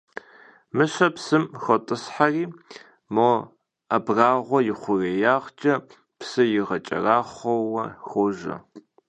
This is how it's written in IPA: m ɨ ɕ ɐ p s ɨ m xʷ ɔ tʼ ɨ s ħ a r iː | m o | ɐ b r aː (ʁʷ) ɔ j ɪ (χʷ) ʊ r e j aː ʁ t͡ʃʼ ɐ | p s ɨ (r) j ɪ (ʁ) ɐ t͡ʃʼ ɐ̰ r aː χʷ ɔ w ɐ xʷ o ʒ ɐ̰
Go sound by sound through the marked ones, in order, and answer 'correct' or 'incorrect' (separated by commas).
correct, correct, incorrect, correct